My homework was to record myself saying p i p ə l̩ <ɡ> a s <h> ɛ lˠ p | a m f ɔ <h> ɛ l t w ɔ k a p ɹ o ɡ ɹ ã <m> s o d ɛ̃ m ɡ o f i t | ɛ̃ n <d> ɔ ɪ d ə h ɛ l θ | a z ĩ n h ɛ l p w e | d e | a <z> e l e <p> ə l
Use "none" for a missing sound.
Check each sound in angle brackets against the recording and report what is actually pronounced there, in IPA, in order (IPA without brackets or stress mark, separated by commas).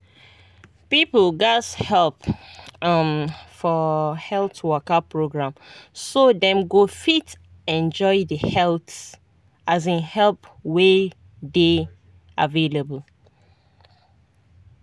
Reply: ɡ, h, h, m, d͡ʒ, v, b